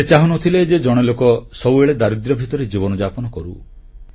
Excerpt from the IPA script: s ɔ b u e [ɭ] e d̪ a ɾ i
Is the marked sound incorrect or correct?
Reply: correct